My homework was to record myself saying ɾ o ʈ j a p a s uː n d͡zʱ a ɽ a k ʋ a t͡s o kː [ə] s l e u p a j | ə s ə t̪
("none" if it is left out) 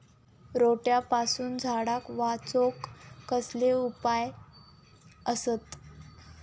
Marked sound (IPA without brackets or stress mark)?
ə